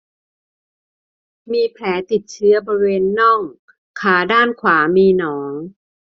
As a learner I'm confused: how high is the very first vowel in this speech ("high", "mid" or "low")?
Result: high